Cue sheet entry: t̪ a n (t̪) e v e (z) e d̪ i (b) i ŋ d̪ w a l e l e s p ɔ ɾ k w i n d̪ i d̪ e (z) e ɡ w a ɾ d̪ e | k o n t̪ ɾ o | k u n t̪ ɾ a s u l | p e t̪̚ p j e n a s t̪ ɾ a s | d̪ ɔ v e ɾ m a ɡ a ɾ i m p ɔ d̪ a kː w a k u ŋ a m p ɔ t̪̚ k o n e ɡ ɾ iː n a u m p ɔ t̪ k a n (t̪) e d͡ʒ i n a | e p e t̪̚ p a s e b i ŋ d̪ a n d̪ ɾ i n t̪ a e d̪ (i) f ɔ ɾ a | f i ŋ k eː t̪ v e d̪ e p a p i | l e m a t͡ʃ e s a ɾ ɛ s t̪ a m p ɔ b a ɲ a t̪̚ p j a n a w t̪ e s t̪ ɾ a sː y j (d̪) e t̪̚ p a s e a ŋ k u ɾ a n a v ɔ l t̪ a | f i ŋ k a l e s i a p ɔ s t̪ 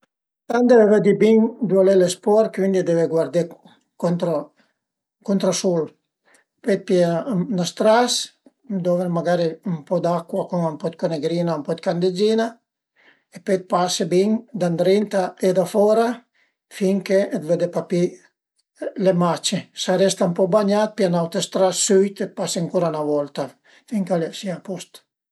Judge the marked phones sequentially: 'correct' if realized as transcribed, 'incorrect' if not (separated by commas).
incorrect, incorrect, correct, incorrect, incorrect, incorrect, incorrect